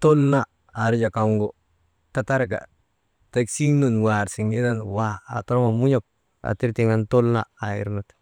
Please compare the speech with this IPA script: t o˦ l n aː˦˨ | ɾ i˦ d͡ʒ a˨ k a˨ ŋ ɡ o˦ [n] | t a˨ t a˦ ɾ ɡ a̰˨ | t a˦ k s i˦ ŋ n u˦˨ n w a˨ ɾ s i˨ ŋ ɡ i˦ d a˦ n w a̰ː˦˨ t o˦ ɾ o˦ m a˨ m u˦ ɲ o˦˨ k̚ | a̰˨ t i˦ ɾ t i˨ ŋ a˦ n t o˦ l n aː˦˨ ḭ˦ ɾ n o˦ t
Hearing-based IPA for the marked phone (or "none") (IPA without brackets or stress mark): none